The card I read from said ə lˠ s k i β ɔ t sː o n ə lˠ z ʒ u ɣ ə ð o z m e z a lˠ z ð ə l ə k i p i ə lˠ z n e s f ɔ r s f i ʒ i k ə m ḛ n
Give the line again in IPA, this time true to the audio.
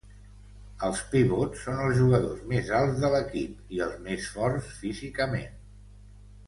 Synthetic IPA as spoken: ə lˠ s p i β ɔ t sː o n ə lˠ z ʒ u ɣ ə ð o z m e z a lˠ z ð ə l ə k i p i ə lˠ z m e s f ɔ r s f i z i k ə m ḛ n